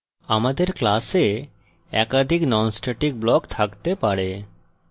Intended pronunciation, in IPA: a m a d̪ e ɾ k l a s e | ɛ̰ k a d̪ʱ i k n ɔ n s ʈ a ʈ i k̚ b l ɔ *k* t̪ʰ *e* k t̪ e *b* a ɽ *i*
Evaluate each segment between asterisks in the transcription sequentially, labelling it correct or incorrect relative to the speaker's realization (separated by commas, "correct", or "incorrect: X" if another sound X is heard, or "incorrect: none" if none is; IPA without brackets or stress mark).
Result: correct, incorrect: a, incorrect: p, incorrect: e